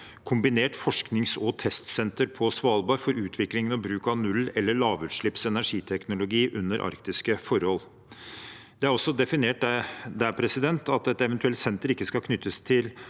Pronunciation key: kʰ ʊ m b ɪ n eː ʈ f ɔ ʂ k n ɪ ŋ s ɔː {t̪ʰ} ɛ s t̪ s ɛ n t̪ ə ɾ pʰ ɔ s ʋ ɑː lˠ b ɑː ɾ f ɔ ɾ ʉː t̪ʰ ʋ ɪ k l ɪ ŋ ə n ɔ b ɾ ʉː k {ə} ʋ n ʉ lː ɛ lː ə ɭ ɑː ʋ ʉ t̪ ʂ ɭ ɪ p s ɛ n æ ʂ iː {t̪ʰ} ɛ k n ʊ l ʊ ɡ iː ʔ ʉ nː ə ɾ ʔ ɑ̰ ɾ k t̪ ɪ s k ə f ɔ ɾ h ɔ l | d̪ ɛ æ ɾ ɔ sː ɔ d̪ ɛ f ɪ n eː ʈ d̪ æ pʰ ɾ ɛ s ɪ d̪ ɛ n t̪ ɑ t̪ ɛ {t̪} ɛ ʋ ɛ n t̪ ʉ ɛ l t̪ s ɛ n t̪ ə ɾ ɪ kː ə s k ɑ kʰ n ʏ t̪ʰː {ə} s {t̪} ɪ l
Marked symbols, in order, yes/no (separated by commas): yes, no, yes, yes, yes, no